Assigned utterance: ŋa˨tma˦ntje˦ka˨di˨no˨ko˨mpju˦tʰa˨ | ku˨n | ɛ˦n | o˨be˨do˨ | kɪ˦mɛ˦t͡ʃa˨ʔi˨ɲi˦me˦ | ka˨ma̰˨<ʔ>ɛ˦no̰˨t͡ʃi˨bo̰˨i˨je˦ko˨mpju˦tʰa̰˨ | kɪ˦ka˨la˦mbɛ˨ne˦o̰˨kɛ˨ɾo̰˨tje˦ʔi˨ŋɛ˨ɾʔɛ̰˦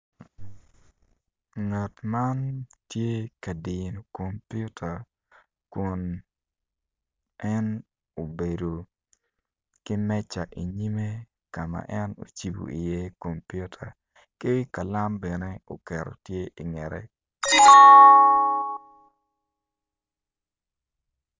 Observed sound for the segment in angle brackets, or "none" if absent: ʔ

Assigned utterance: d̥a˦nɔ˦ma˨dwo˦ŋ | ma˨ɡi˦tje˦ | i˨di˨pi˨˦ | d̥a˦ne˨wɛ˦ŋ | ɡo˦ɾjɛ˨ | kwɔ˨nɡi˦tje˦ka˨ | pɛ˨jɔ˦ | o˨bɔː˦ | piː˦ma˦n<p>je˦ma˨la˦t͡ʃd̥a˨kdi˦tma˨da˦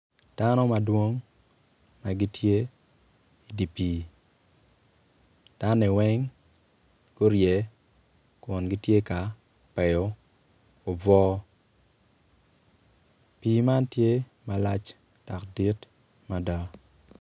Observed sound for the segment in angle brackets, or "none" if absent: t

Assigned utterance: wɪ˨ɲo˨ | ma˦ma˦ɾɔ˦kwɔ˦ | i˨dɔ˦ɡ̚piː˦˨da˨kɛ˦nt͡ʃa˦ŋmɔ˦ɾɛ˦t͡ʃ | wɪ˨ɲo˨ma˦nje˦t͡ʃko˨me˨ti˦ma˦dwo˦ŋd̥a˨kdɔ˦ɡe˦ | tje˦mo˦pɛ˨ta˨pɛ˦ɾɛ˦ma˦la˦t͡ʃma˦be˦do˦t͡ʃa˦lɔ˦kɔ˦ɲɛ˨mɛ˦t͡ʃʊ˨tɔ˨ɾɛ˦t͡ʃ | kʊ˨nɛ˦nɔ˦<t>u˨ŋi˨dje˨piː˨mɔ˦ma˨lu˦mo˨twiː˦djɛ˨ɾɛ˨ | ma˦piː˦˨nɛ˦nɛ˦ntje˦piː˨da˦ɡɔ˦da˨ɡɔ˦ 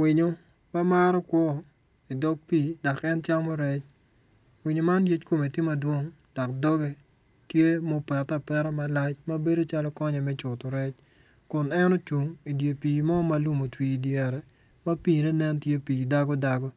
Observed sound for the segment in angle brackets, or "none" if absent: t͡ʃ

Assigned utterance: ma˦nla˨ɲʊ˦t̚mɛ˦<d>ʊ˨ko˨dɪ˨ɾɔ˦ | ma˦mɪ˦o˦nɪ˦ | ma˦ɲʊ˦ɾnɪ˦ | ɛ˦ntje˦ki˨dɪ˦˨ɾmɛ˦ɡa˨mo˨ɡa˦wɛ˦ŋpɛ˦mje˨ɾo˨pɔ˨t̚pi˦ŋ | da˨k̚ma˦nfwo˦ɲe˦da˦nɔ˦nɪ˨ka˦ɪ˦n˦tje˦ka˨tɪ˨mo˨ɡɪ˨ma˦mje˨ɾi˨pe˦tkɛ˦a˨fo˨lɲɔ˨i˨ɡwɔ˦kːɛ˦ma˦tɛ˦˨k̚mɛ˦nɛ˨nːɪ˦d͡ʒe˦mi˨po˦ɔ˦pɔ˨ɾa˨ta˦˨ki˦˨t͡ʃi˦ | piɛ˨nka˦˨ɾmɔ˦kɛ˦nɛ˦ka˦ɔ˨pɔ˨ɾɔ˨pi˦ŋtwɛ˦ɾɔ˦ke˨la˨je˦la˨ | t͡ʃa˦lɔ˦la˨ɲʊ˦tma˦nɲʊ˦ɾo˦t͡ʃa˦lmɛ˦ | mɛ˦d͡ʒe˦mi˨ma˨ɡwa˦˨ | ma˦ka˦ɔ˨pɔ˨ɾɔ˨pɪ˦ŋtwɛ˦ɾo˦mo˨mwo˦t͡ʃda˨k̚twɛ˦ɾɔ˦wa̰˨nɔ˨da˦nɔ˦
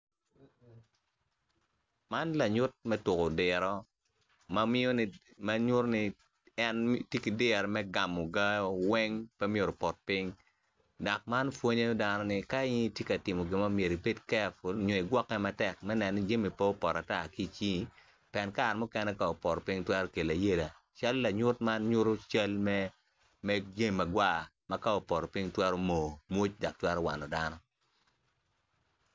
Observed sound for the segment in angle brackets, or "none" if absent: t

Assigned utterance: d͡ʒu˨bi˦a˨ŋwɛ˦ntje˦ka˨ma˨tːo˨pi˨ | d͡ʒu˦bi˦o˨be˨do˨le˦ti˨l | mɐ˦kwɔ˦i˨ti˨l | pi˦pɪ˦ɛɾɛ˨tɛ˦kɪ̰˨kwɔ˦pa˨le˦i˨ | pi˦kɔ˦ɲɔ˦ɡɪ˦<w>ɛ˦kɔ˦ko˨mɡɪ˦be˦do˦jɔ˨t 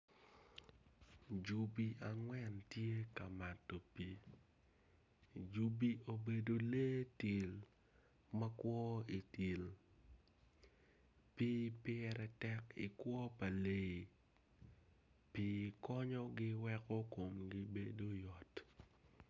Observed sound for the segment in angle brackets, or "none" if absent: w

